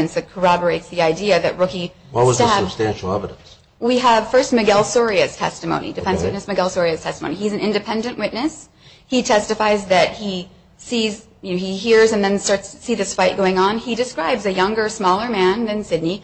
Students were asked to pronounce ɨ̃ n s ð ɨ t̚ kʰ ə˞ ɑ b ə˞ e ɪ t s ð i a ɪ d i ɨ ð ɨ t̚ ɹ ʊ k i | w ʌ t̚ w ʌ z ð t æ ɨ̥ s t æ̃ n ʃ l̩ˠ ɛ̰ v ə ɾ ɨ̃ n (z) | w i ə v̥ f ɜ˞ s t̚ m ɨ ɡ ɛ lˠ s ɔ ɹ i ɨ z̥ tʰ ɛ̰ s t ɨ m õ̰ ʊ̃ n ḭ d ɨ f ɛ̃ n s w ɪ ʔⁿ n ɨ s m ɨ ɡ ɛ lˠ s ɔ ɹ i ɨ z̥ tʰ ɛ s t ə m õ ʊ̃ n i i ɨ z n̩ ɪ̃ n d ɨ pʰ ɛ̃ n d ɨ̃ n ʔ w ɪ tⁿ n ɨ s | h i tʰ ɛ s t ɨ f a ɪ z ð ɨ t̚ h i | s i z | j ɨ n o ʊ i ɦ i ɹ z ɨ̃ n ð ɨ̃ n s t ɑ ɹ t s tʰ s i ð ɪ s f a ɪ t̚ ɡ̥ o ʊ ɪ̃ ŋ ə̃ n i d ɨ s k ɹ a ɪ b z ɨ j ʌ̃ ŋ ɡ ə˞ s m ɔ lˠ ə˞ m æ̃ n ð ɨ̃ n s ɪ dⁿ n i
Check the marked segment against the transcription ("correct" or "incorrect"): incorrect